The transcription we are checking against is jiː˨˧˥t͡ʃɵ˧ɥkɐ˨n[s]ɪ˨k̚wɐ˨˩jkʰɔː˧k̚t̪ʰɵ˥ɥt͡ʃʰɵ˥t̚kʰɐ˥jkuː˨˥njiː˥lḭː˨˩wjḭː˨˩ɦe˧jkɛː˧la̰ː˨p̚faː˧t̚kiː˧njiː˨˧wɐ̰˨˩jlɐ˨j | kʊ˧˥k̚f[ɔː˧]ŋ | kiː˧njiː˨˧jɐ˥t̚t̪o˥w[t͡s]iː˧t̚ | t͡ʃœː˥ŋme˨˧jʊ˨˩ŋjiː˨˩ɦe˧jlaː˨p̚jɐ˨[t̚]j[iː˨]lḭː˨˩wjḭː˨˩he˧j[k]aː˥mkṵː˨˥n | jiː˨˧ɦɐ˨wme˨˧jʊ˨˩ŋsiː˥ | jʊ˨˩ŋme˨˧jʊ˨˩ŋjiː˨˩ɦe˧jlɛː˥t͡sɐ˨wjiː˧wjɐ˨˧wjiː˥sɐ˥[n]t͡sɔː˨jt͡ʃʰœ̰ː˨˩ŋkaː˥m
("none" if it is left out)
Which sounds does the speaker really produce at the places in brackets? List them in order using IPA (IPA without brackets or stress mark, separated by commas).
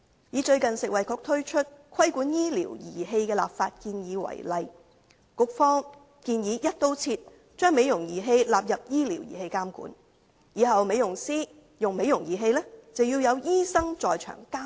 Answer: s, ɔː˥, t͡sʰ, p̚, iː˥, k, ŋ